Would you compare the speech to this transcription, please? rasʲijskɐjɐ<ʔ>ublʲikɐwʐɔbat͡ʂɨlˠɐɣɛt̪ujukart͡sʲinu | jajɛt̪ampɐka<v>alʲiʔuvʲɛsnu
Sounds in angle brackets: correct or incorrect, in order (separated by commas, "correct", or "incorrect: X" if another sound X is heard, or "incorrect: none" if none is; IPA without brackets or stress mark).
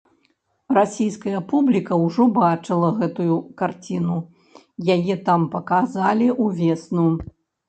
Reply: incorrect: p, incorrect: z